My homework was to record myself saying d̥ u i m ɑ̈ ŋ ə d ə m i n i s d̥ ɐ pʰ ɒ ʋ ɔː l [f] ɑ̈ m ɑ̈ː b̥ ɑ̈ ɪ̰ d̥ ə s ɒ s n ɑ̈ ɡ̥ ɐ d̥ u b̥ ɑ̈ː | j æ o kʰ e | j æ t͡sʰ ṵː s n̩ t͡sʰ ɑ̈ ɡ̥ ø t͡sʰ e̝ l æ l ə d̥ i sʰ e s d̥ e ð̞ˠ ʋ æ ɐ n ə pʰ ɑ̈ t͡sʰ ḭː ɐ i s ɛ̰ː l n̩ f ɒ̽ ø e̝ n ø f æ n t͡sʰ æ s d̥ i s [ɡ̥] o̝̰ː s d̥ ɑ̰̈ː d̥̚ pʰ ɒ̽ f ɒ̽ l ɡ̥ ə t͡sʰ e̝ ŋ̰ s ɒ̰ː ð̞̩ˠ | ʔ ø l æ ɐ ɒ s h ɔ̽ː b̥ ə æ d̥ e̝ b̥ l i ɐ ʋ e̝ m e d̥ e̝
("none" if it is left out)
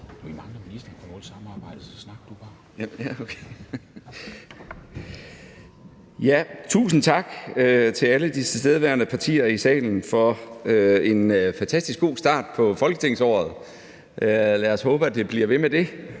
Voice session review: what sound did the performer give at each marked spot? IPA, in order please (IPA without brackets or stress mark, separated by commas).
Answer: s, ɡ̥